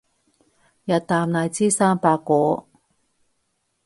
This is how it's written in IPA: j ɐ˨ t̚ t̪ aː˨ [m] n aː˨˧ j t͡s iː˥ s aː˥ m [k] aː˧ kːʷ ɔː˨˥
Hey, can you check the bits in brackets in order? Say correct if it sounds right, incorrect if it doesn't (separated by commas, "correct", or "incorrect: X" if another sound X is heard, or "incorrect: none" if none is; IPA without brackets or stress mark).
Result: correct, incorrect: p